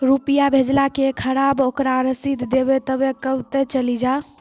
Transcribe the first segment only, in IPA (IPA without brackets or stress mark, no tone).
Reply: ɾ